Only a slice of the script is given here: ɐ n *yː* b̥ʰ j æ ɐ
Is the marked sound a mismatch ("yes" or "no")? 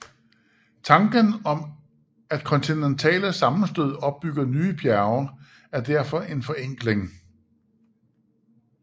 no